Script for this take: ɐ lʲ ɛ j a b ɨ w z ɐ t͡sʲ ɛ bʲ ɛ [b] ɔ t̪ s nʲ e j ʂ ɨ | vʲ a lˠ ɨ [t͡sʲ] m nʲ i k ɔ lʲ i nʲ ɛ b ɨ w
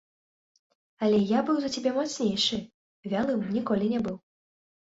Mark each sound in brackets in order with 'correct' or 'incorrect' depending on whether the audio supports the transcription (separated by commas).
incorrect, incorrect